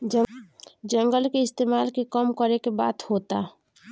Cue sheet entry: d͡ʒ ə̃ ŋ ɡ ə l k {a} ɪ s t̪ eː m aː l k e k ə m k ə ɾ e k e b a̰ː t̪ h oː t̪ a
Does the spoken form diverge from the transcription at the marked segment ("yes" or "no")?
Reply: yes